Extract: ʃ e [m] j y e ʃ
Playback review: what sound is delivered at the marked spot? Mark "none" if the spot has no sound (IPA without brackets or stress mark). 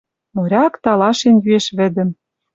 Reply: n